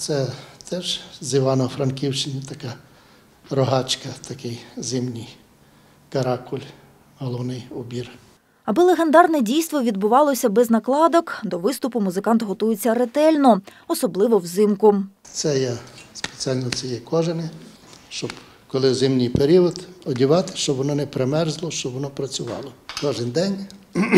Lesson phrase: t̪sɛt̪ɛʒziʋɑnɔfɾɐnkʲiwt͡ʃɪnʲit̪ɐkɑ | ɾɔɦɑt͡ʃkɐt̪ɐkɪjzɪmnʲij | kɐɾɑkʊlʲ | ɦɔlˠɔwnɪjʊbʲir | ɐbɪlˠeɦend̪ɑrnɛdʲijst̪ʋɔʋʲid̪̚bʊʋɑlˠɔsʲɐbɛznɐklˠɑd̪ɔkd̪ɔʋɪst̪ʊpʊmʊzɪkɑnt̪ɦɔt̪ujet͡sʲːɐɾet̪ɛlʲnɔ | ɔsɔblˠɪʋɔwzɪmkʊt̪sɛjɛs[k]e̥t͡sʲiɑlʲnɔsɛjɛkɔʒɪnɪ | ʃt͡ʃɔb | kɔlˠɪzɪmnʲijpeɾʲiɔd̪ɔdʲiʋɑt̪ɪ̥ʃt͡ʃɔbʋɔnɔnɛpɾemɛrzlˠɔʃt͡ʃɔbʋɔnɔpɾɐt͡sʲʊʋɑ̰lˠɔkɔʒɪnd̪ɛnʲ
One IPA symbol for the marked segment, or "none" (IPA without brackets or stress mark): p